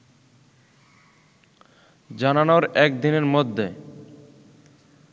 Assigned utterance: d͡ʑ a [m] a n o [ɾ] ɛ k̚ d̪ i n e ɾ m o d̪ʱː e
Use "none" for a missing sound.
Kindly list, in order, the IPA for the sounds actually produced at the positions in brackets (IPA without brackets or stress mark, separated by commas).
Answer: n, ɾ